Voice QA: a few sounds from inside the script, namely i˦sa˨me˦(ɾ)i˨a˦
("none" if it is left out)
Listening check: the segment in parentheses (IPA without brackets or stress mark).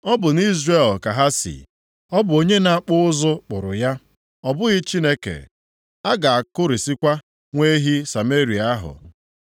ɾ